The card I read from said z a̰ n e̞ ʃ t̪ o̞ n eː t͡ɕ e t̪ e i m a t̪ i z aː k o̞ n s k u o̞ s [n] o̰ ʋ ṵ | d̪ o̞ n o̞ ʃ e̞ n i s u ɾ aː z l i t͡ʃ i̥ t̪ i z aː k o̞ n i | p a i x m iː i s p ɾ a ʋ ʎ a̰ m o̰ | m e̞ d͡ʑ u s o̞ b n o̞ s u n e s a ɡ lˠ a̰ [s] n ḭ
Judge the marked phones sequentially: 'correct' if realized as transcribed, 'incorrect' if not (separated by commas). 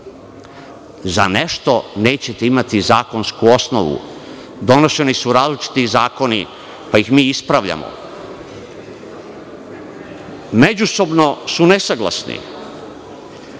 correct, correct